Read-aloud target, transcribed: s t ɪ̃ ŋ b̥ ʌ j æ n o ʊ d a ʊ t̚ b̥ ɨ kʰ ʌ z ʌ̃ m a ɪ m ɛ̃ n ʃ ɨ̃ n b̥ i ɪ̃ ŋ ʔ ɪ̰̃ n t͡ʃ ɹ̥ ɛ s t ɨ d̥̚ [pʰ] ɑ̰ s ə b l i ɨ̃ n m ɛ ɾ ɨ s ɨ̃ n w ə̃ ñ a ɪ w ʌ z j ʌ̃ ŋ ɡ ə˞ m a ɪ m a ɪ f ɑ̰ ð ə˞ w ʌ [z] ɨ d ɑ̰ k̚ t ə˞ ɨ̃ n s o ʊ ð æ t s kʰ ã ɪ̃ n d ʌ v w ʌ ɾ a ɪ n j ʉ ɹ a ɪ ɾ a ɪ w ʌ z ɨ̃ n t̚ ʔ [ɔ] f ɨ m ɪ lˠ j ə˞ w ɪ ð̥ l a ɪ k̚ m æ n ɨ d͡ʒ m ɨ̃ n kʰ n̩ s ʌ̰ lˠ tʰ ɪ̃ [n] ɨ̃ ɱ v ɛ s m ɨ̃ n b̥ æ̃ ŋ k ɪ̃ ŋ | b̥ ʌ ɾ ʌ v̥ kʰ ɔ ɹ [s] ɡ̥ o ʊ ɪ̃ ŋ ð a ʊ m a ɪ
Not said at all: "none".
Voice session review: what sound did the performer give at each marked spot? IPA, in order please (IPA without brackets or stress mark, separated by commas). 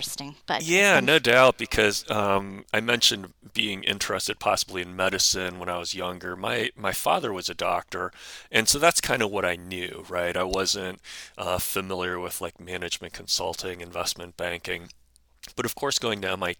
pʰ, z, ʌ, ŋ, s